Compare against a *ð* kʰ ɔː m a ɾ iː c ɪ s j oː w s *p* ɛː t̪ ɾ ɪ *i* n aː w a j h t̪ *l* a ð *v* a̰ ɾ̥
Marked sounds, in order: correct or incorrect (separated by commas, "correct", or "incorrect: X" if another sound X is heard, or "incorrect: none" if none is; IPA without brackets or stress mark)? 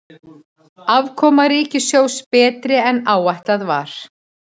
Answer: incorrect: v, correct, incorrect: ɛ, correct, correct